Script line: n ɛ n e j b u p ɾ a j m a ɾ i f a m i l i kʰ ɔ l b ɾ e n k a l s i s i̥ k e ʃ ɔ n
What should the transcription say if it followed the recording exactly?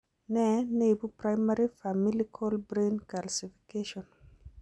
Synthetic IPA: n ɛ n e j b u p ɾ a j m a ɾ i f a m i l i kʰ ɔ l b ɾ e n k a l s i f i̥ k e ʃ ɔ n